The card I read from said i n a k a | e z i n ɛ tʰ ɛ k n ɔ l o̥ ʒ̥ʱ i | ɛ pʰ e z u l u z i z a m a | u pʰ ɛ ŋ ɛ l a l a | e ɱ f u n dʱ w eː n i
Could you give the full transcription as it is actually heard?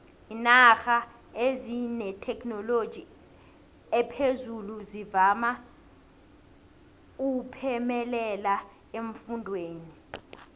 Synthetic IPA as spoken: i n a x a | e z i n ɛ tʰ ɛ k n ɔ l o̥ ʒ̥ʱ i | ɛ pʰ e z u l u z i v a m a | u pʰ ɛ m ɛ l ɛ l a | e ɱ f u n dʱ w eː n i